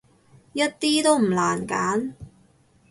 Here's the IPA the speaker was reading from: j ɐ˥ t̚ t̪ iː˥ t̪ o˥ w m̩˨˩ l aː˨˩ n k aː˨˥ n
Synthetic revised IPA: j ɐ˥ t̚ t̪ iː˥ t̪ o˥ w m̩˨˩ l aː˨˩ n k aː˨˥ n